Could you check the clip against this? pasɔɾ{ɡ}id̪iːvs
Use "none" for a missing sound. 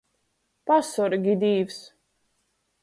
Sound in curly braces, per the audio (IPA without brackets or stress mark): ɡ